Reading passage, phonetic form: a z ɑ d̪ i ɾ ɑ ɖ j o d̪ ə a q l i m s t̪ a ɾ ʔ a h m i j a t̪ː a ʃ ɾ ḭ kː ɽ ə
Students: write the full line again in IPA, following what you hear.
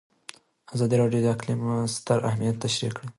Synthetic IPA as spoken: a z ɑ d̪ i ɾ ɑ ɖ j o d̪ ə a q l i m s t̪ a ɾ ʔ a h m i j a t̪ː a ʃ ɾ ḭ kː ɽ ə